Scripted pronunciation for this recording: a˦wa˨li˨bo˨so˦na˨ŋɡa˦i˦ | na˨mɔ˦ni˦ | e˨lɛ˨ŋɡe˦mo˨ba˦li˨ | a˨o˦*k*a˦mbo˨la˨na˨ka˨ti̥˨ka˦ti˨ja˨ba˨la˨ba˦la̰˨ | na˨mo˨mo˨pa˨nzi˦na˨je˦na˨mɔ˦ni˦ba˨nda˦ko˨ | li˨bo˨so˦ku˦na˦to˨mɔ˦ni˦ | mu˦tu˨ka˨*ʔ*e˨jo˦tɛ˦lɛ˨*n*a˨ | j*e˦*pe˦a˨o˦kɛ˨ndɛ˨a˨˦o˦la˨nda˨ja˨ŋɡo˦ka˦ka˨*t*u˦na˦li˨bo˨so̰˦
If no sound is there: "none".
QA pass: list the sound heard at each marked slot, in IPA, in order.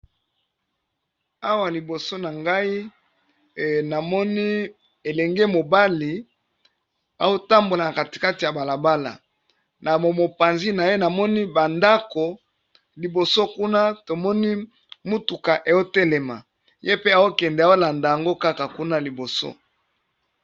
t, ʔ, m, e˦, k

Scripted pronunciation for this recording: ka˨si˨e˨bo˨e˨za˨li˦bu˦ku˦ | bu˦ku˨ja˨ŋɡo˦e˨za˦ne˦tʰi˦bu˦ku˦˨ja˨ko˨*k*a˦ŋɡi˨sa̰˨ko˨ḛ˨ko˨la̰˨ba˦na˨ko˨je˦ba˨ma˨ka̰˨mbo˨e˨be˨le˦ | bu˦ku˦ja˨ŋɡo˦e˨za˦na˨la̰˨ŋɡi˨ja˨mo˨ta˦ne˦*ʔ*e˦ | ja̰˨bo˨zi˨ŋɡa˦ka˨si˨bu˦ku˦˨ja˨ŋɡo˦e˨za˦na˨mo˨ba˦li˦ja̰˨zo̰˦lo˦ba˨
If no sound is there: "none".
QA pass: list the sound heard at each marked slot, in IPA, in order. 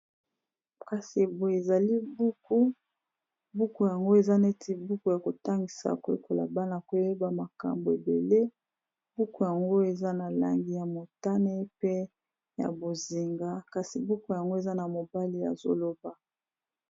t, p

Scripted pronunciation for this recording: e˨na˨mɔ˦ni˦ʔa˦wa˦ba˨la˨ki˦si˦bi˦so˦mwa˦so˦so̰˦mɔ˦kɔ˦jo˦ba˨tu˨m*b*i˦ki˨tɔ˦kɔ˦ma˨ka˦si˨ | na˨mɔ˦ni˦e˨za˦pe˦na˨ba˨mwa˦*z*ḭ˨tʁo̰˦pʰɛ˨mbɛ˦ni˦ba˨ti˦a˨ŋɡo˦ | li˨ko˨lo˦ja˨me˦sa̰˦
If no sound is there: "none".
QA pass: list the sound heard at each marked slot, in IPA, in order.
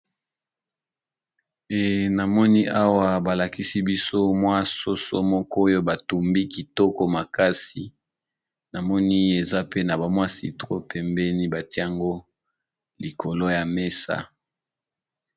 b, s

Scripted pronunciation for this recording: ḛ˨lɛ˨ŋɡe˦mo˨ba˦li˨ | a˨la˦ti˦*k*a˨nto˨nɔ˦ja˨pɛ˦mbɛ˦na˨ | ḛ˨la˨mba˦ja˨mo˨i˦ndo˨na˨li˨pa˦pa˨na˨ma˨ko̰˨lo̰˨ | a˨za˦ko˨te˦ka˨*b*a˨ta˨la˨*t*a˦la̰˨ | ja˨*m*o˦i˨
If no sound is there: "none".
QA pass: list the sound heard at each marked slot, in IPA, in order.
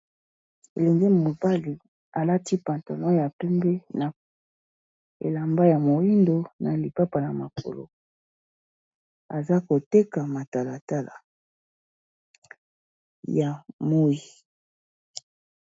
p, m, t, m

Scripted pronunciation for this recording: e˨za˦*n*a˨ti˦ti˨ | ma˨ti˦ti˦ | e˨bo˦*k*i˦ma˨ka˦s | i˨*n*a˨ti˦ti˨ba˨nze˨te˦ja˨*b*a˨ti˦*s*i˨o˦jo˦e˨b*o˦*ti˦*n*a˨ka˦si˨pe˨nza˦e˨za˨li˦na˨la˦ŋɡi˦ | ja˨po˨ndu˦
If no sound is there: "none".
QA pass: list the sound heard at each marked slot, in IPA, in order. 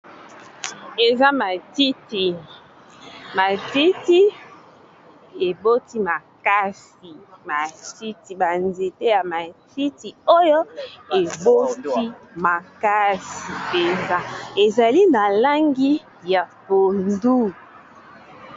m, t, m, m, t, o˦, m

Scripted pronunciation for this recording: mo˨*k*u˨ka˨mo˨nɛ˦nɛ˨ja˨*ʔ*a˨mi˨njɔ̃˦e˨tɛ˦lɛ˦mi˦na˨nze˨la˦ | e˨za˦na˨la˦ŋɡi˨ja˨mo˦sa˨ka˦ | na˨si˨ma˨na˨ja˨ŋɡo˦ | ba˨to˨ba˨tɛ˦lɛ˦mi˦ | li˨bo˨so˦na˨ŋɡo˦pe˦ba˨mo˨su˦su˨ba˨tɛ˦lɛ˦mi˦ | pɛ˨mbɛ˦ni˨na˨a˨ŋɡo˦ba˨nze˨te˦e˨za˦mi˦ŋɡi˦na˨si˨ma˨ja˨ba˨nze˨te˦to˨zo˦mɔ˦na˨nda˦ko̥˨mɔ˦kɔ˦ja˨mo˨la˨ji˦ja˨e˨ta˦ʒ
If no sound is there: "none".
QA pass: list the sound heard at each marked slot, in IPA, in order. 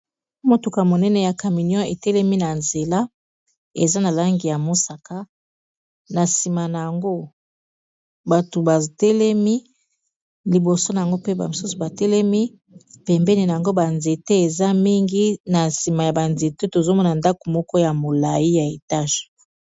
t, k

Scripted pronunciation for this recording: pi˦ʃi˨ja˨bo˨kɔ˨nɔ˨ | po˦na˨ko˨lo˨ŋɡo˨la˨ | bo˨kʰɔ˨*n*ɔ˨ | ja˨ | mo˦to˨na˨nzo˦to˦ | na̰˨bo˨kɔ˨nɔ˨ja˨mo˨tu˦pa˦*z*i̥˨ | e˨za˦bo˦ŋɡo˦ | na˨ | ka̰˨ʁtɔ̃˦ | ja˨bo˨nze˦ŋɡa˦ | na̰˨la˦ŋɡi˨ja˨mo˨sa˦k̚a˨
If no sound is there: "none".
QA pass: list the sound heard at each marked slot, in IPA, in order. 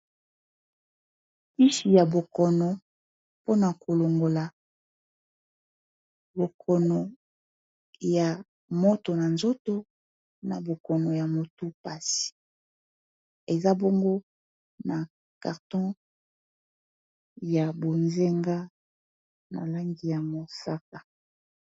n, s

